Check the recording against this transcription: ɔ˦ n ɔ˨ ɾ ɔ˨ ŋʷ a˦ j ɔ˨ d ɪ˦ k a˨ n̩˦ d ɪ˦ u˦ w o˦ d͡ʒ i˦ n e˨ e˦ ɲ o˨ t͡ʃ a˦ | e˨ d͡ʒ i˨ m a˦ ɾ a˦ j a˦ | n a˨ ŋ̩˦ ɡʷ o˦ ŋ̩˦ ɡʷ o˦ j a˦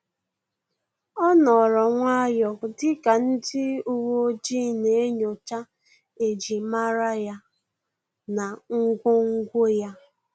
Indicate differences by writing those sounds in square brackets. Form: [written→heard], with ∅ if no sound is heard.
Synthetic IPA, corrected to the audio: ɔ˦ n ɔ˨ ɾ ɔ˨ ŋʷ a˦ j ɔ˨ d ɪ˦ k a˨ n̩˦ d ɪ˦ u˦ w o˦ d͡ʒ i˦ n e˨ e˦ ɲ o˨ t͡ʃ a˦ | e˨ d͡ʒ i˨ m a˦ ɾ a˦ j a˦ | n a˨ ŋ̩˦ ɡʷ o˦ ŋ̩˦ ɡʷ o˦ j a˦